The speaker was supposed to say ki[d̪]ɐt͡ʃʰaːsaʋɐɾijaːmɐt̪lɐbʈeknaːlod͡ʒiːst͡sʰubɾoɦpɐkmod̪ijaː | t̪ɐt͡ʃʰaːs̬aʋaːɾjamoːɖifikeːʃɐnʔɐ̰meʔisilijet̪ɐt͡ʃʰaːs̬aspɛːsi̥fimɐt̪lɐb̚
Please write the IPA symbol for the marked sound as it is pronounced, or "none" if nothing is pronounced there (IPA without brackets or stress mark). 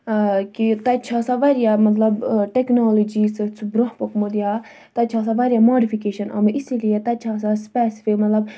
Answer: t̪